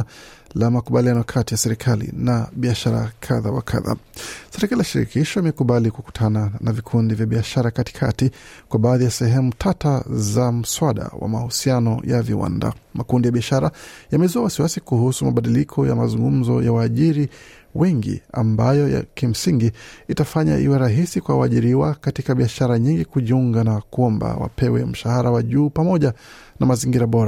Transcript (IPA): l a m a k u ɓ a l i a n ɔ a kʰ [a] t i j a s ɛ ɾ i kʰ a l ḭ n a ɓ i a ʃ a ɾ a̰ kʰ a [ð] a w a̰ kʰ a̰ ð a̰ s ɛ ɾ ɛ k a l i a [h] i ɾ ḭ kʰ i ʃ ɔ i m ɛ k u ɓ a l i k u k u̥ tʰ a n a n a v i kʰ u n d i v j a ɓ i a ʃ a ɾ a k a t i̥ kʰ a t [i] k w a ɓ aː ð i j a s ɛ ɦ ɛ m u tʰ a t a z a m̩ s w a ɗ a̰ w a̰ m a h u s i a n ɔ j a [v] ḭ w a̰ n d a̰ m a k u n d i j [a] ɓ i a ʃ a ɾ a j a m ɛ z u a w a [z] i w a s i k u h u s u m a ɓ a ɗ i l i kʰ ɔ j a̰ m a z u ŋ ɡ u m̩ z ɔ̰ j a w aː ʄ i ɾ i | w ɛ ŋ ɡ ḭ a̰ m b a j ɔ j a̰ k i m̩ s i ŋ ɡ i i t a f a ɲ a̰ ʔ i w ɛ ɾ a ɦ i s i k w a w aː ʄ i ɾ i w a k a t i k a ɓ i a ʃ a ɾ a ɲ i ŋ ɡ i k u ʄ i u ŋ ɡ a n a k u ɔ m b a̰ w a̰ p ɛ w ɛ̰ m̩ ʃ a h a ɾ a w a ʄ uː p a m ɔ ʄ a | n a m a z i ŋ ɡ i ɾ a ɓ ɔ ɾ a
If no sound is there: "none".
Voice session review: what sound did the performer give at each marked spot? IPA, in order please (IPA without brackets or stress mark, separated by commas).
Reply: a, ð, ʃ, i, v, a, s